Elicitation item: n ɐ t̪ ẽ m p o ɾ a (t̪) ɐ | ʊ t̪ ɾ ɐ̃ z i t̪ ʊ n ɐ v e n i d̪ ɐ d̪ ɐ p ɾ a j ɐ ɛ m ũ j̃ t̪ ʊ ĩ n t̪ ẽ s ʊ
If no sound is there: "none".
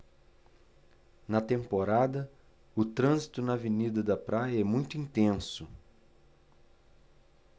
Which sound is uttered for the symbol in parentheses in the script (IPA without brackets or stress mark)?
d̪